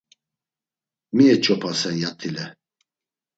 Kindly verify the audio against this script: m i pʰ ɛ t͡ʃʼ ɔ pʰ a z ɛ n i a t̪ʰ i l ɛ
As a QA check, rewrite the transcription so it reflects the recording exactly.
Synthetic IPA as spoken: m i ɛ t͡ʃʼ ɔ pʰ a s ɛ n j a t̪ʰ i l ɛ